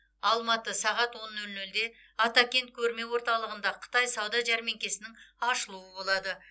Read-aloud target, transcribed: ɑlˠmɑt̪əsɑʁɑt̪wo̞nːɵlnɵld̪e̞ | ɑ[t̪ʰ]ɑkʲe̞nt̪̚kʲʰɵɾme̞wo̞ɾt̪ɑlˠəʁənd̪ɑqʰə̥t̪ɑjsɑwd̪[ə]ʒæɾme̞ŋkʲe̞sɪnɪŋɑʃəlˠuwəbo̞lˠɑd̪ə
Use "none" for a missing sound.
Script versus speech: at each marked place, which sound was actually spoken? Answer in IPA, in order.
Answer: t̪, ɑ

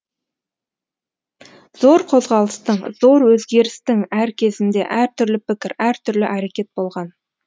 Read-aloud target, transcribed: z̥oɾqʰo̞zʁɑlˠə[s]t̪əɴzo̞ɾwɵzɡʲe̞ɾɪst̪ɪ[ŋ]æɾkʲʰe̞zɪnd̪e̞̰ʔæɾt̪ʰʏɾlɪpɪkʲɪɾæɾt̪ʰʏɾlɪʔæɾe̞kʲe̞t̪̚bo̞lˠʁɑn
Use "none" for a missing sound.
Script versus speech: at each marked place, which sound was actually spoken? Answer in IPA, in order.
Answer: s, ŋ

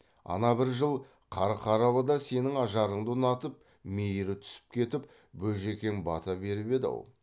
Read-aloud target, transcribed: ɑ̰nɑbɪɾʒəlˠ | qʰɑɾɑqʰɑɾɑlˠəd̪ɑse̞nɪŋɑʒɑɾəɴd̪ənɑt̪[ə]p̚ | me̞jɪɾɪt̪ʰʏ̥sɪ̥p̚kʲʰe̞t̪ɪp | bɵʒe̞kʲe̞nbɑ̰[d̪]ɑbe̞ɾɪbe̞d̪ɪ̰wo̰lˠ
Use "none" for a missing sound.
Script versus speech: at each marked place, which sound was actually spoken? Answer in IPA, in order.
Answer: ə, t̪

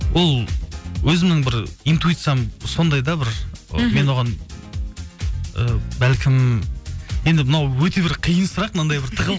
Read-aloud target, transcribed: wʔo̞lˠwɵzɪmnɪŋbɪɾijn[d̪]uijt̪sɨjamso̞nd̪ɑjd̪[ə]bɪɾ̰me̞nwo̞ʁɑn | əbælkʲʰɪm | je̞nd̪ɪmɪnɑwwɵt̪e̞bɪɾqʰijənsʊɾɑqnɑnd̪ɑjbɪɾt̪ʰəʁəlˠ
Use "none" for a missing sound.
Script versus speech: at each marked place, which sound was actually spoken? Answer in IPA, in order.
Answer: t̪, ɑ

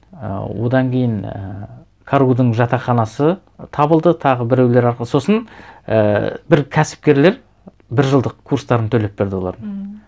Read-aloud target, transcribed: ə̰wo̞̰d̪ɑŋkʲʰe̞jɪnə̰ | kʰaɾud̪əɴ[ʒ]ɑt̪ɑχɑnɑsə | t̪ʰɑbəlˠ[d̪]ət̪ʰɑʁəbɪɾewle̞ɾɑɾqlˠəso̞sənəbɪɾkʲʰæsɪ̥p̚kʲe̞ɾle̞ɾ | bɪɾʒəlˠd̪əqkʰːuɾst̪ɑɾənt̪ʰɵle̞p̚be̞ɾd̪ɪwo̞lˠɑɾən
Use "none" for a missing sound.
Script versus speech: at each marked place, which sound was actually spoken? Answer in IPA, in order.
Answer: ʒ, d̪

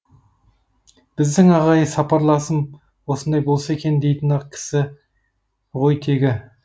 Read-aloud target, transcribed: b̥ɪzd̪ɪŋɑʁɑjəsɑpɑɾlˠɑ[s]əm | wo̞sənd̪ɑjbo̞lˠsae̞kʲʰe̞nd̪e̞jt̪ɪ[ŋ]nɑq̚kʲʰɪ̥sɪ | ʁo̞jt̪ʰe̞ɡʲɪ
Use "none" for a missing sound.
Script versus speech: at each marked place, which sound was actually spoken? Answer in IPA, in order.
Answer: s, none

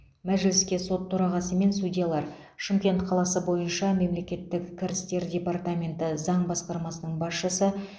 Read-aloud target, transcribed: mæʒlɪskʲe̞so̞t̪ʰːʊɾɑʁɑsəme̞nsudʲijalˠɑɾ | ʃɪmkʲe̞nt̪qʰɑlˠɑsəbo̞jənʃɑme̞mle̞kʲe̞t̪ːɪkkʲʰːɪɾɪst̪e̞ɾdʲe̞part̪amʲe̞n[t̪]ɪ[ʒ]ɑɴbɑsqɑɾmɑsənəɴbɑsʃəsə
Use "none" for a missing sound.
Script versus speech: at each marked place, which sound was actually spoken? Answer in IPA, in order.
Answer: t̪, z

